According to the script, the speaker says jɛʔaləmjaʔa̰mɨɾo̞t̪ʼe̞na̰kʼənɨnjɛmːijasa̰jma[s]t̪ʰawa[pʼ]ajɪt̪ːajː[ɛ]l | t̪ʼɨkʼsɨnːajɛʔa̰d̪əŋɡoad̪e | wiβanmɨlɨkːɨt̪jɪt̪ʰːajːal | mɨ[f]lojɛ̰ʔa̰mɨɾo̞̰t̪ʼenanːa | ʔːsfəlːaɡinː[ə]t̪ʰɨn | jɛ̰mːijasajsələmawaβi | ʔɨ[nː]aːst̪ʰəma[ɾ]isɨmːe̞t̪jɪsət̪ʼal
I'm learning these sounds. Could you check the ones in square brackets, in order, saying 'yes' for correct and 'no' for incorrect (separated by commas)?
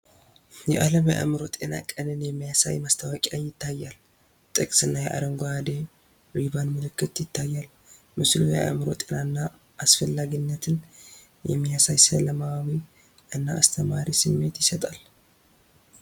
yes, no, no, no, yes, yes, yes